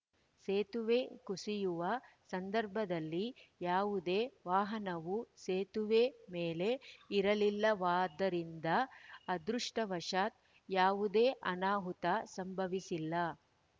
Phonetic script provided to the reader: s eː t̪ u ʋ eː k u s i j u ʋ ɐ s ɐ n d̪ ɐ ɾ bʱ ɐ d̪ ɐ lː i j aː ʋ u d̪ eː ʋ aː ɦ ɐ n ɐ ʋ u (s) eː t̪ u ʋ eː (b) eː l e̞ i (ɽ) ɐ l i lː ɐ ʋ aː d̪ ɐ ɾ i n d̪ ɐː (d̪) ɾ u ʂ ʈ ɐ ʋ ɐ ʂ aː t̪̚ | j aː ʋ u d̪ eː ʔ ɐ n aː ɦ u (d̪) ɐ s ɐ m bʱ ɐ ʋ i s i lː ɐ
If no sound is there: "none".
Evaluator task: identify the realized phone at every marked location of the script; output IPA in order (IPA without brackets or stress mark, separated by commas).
s, m, ɾ, d̪, t̪